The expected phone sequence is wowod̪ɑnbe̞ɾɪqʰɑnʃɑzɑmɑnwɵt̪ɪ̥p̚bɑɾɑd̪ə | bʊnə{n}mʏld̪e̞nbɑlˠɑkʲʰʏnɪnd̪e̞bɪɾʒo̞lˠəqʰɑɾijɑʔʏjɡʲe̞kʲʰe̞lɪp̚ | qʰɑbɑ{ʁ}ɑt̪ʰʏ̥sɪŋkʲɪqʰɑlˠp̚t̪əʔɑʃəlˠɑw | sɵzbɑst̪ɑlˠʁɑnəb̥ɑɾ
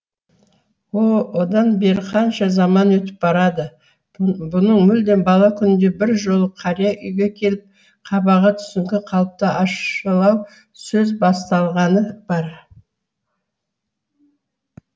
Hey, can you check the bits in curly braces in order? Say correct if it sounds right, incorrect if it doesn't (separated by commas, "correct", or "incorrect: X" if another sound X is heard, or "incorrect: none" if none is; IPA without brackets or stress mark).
incorrect: ɴ, correct